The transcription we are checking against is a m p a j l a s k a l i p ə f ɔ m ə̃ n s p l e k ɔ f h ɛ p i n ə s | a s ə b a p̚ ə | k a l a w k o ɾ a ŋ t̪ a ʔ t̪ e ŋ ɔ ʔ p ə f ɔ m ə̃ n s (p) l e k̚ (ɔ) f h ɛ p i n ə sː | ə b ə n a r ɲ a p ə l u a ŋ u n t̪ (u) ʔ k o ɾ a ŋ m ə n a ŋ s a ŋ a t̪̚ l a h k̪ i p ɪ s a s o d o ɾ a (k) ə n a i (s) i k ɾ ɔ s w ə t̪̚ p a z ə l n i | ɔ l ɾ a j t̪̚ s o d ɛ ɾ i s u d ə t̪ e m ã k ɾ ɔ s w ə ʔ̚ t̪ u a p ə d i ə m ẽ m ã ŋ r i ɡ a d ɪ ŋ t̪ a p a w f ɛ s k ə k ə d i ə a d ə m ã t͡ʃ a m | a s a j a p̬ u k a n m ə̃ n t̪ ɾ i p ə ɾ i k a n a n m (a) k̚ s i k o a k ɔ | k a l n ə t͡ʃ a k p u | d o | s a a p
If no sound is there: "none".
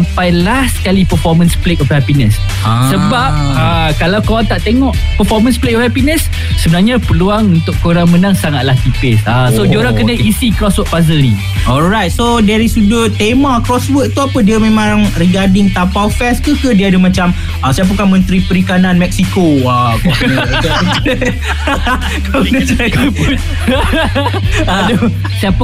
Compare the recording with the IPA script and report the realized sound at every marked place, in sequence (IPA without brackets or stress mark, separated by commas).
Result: p, ɔ, ʊ, k, s, ɛ